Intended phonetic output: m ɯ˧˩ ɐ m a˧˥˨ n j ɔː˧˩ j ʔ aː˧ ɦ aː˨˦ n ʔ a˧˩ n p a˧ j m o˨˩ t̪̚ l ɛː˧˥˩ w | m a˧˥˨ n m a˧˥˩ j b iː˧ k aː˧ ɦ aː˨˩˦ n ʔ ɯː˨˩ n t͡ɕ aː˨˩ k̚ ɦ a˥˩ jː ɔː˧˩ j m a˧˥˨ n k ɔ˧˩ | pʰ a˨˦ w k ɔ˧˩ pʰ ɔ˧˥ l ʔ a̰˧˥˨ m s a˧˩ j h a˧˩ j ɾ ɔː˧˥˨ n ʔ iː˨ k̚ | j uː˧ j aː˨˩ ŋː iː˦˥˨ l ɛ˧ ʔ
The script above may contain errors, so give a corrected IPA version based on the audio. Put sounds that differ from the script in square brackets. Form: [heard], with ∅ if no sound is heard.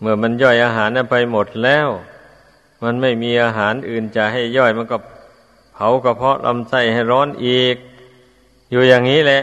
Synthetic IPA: m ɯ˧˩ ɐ m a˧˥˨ n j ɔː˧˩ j ʔ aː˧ ɦ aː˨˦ n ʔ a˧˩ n p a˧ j m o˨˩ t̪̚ l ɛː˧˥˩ w | m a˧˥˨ n m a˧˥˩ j [m] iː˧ [ʔ] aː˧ ɦ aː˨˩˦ n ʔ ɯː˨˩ n t͡ɕ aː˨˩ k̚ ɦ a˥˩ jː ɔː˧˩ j m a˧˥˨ n k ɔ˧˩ | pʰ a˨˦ w k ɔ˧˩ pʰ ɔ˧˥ l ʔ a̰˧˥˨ m s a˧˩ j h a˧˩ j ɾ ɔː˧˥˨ n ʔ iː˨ k̚ | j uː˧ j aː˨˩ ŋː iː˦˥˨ l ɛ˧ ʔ